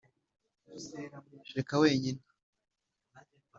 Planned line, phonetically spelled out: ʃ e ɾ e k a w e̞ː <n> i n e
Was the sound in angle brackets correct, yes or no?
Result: no